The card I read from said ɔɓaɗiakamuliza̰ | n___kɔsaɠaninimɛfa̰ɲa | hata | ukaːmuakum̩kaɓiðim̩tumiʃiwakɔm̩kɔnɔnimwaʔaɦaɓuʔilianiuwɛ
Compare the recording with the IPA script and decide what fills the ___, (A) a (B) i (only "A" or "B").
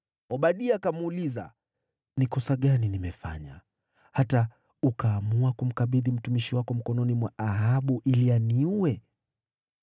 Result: B